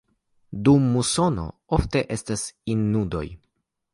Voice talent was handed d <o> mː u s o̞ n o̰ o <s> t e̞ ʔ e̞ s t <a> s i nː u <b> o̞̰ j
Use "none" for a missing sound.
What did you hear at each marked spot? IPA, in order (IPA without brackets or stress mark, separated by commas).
u, f, a, d